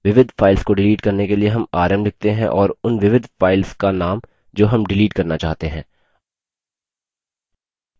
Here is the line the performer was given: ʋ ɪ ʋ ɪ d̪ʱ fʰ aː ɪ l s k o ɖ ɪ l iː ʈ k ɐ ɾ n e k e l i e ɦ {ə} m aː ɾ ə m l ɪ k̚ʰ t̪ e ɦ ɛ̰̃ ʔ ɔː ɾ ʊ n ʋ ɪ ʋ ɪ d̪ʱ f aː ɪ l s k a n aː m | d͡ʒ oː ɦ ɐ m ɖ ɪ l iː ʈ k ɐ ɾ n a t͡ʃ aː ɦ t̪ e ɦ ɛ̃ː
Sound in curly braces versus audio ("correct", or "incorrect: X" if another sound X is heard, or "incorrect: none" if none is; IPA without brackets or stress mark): incorrect: ɐ